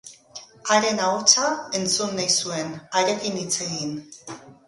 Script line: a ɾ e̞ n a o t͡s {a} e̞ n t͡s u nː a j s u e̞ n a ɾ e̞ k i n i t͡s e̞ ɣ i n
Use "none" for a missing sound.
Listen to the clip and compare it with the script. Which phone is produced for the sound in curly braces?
a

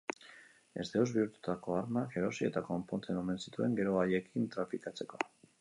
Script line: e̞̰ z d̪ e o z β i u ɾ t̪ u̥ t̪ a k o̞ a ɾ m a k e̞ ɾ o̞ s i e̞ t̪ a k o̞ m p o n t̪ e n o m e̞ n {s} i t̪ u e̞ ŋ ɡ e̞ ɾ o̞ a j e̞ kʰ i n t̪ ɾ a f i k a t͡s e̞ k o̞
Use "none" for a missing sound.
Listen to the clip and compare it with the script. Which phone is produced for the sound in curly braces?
s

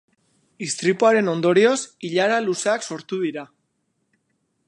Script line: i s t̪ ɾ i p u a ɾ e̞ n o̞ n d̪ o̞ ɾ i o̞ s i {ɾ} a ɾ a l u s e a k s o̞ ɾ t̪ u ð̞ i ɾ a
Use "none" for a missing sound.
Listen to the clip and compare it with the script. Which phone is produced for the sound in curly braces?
ʎ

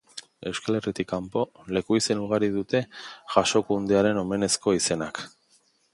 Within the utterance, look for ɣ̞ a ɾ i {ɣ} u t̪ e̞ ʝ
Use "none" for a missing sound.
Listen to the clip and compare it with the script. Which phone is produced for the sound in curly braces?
ð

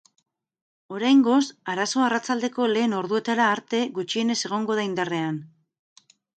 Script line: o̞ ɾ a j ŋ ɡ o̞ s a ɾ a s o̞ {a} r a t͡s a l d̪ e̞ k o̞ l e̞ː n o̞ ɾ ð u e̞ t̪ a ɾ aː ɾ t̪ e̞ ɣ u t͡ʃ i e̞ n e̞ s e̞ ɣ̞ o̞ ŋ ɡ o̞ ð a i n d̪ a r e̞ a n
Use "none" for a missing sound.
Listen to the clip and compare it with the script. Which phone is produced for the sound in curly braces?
a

